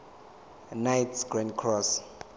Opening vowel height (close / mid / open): open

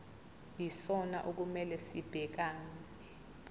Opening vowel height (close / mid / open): close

